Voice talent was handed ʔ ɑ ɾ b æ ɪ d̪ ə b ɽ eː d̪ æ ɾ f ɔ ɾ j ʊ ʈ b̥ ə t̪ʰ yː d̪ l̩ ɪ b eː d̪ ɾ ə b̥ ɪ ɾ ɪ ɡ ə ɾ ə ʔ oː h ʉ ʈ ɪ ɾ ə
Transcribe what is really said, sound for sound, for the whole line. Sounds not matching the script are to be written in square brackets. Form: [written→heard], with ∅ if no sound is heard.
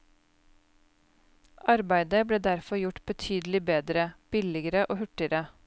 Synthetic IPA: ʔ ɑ ɾ b æ ɪ d̪ ə b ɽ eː d̪ æ ɾ f ɔ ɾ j ʊ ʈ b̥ ə t̪ʰ yː d̪ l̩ ɪ b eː d̪ ɾ ə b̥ ɪ [ɾ→l] ɪ ɡ ə ɾ ə ʔ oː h ʉ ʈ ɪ ɾ ə